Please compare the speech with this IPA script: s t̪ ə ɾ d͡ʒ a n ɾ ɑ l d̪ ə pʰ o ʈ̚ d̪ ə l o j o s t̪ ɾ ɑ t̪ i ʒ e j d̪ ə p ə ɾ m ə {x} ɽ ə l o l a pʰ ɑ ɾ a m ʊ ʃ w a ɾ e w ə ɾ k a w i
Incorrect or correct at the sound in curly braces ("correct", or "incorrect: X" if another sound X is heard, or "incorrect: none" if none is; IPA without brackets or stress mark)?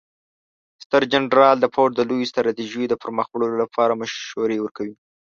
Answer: correct